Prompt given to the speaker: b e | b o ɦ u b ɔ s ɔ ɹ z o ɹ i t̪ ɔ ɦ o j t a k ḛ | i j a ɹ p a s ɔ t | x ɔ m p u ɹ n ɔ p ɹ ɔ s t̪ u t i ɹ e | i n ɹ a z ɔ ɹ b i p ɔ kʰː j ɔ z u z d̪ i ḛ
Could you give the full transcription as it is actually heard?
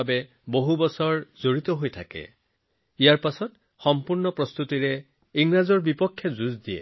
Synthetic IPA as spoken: b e | b o ɦ u b ɔ s ɔ ɹ z o ɹ i t̪ ɔ ɦ o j tʰ a k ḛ | i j a ɹ p a s ɔ t | x ɔ m p u ɹ n ɔ p ɹ ɔ s t̪ u t i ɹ e | i ŋ ɹ a z ɔ ɹ b i p ɔ kʰː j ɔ z u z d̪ i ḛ